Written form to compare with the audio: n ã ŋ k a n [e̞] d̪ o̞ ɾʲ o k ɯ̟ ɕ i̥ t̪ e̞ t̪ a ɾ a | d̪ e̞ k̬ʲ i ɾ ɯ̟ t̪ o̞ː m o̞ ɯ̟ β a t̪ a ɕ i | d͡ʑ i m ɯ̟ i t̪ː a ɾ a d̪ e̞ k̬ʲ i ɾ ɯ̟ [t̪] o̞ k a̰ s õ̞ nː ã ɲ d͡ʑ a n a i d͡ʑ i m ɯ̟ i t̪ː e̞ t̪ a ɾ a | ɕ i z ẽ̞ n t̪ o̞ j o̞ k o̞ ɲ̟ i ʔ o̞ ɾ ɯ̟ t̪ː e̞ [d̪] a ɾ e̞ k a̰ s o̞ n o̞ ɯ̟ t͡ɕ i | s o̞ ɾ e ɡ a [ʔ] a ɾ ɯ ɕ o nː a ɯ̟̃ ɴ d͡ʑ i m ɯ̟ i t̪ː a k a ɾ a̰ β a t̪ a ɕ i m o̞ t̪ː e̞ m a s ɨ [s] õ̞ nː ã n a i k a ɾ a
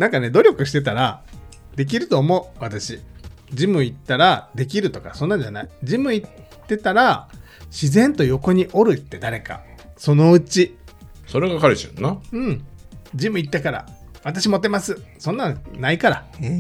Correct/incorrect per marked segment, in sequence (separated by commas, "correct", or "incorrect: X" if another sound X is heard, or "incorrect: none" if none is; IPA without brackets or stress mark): correct, correct, correct, incorrect: k, correct